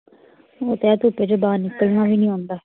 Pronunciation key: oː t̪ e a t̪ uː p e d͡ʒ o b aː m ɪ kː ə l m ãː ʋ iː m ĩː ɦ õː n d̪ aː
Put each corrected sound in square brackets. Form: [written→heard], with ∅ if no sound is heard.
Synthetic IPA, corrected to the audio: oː t̪ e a t̪ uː p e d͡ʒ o b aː [m→n] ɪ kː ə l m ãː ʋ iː [m→n] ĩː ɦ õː n d̪ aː

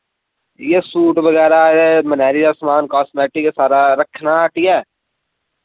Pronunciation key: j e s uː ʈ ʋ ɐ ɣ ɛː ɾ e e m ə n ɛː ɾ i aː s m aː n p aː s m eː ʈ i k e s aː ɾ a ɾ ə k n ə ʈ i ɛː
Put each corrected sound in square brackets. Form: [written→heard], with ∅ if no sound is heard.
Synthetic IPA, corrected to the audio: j e s uː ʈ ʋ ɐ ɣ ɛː ɾ [e→a] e m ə n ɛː ɾ i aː s m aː n [p→k] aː s m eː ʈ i k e s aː ɾ a ɾ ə [k→kʰ] n [ə→a] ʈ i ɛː

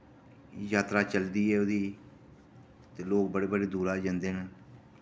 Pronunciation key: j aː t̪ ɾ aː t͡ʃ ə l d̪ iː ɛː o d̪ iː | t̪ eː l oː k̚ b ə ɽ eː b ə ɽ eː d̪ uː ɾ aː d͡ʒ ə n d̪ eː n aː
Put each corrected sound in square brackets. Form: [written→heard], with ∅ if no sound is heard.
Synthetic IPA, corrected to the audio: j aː t̪ ɾ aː t͡ʃ ə l d̪ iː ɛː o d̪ iː | t̪ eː l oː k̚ b ə ɽ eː b ə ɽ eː d̪ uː ɾ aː d͡ʒ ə n d̪ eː n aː

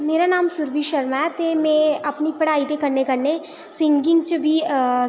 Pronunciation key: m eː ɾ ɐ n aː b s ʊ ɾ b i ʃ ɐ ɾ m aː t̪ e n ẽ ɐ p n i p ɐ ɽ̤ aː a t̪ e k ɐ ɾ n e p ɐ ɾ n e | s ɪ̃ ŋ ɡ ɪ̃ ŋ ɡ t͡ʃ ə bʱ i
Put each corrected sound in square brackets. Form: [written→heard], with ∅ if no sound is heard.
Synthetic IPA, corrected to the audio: m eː ɾ [ɐ→a] n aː [b→m] s ʊ ɾ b i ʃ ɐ ɾ m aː t̪ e [n→m] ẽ ɐ p n i p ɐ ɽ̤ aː [a→i] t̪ e k ɐ ɾ n e [p→k] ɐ ɾ n e | s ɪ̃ ŋ ɡ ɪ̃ ŋ ɡ t͡ʃ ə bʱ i

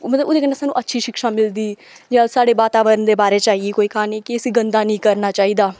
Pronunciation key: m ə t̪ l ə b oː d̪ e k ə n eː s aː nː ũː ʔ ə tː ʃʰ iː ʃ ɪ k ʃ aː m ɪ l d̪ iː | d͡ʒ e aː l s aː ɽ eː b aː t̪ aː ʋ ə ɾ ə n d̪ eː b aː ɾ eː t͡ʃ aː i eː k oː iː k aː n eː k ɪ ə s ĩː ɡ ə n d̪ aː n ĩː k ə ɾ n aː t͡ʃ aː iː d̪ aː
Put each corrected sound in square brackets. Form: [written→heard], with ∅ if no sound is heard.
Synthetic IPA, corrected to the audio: m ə t̪ l ə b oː d̪ e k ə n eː s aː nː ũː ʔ ə tː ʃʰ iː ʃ ɪ k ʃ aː m ɪ l d̪ iː | d͡ʒ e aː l s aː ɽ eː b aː t̪ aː ʋ ə ɾ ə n d̪ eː b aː ɾ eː t͡ʃ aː i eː k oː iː k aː n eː k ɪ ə s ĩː ɡ ə n d̪ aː n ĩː k ə ɾ n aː t͡ʃ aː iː d̪ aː

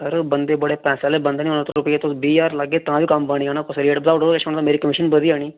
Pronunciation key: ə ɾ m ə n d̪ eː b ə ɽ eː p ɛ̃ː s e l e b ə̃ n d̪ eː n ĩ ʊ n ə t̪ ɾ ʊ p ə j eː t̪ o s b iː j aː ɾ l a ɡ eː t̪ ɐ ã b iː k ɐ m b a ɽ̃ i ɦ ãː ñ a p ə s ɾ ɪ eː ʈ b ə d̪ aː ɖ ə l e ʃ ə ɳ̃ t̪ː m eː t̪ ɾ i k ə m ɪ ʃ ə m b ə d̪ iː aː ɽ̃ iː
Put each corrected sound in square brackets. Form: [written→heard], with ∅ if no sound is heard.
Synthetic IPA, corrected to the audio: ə ɾ [m→b] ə n d̪ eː b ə ɽ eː p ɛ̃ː s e l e b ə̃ n d̪ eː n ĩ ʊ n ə t̪ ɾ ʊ p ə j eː t̪ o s b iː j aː ɾ l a ɡ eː t̪ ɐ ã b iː k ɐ m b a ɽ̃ i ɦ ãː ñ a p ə s ɾ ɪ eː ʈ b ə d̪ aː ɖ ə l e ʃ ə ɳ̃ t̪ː m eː [t̪→∅] ɾ i k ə m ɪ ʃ ə [m→n] b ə d̪ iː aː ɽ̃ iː

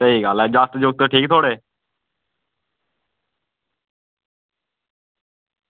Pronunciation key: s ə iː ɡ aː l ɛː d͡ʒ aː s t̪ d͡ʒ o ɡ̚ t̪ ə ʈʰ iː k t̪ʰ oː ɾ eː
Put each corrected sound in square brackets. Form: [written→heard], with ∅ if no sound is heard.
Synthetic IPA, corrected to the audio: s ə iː ɡ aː l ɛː d͡ʒ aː s t̪ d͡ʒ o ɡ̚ t̪ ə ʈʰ iː k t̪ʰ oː [ɾ→ɽ] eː

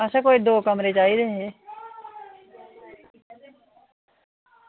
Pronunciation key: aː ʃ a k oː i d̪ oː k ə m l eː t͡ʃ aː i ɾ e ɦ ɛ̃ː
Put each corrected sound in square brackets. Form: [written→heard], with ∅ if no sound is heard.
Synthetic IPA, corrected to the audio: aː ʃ a k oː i d̪ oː k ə m [l→ɾ] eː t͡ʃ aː i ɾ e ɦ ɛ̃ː

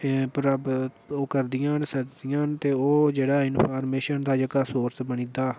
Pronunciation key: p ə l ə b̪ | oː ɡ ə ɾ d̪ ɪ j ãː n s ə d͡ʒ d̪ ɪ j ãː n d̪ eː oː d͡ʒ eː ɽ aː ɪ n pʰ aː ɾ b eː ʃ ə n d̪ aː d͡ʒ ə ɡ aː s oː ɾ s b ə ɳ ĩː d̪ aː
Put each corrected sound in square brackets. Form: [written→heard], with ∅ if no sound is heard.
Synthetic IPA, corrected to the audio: p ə [l→ɾ] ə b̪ | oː [ɡ→k] ə ɾ d̪ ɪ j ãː n s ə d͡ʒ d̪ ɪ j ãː n [d̪→t̪] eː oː d͡ʒ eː ɽ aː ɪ n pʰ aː ɾ [b→m] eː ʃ ə n d̪ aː d͡ʒ ə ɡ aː s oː ɾ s b ə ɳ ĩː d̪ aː

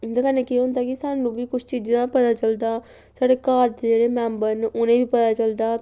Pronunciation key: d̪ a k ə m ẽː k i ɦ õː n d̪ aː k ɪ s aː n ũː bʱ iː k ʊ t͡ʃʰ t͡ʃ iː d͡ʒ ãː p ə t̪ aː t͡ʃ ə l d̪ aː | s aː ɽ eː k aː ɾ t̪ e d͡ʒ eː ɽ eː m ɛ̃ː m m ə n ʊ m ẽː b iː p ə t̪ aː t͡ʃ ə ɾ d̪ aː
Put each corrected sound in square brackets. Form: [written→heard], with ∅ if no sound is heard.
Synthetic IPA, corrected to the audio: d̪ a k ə [m→n] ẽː k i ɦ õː n d̪ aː k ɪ s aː n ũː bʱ iː k ʊ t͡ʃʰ t͡ʃ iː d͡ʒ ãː p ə t̪ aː t͡ʃ ə l d̪ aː | s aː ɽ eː k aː ɾ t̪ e d͡ʒ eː ɽ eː m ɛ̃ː m [m→b] ə n ʊ [m→n] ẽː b iː p ə t̪ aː t͡ʃ ə [ɾ→l] d̪ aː

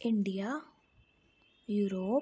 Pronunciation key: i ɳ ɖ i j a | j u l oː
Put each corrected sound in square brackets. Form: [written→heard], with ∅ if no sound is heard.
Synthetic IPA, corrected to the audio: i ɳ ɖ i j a | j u [l→ɾ] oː

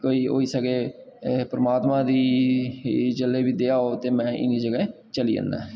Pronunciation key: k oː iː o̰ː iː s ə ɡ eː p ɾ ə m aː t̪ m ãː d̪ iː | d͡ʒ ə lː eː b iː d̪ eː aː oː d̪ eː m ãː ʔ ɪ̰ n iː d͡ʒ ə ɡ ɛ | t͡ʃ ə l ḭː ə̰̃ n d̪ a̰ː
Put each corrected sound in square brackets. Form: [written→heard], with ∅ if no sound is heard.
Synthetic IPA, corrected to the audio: k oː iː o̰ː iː s ə ɡ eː p ɾ ə m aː t̪ m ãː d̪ iː | d͡ʒ ə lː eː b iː d̪ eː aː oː [d̪→t̪] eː m [ãː→ɛ̃ː] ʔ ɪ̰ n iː d͡ʒ ə ɡ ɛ | t͡ʃ ə l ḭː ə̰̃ n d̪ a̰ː

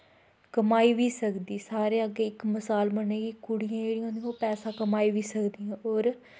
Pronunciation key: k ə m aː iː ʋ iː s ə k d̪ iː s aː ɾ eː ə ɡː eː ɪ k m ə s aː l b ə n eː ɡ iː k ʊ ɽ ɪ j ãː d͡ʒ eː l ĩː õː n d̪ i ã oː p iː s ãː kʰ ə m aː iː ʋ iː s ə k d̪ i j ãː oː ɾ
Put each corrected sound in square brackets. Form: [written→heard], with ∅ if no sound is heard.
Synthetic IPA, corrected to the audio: k ə m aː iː ʋ iː s ə k d̪ iː s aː ɾ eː ə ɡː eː ɪ k m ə s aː l b ə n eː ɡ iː k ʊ ɽ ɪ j ãː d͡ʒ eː [l→ɽ] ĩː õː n d̪ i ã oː p [iː→ɛː] s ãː [kʰ→k] ə m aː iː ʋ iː s ə k d̪ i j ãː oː ɾ

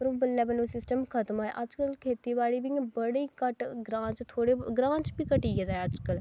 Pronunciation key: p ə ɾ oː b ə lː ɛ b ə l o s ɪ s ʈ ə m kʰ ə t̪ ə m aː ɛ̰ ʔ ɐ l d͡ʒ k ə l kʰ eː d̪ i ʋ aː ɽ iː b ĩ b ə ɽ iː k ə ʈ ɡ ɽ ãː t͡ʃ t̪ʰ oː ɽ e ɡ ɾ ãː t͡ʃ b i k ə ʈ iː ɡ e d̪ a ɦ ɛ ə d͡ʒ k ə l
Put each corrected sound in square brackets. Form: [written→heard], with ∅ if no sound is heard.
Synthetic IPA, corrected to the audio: p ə ɾ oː b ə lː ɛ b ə l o s ɪ s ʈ ə m kʰ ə t̪ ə m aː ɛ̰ ʔ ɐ [l→∅] d͡ʒ k ə l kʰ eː [d̪→t̪] i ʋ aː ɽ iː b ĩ b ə ɽ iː k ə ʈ ɡ [ɽ→ɾ] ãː t͡ʃ t̪ʰ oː ɽ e ɡ ɾ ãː t͡ʃ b i k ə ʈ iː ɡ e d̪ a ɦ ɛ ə d͡ʒ k ə l

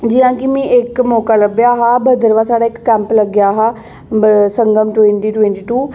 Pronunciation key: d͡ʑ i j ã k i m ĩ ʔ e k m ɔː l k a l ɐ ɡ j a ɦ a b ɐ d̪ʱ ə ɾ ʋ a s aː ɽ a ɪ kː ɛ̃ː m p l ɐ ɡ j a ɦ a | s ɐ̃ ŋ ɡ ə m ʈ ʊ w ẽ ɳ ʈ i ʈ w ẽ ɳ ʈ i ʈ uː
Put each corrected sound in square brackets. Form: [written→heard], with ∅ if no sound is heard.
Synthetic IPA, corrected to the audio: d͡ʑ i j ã k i m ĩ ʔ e k m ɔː [l→∅] k a l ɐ [ɡ→b] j a ɦ a b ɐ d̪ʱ ə ɾ ʋ a s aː ɽ a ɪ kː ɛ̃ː m p l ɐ ɡ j a ɦ a | s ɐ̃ ŋ ɡ ə m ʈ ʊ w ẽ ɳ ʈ i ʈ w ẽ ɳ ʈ i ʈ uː

